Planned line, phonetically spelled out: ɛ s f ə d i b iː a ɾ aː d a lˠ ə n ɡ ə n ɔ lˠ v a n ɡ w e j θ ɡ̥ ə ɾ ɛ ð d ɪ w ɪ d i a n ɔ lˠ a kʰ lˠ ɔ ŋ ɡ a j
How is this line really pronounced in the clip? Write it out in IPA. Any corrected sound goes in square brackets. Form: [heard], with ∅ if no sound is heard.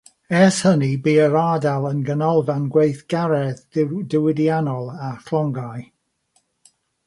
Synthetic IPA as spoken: ɛ s [h] ə [n] i b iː [ə] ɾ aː d a lˠ ə n ɡ ə n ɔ lˠ v a n ɡ w e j θ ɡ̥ [a] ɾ ɛ ð d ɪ w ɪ d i a n ɔ lˠ a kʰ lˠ ɔ ŋ ɡ a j